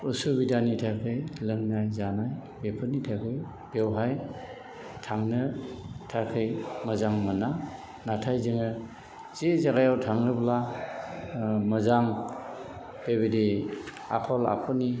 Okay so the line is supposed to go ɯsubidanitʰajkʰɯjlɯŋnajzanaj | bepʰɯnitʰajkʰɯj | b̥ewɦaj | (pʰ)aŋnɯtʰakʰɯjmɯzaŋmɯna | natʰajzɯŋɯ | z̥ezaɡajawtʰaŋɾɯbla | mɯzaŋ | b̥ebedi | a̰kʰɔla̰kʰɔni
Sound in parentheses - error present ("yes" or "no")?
yes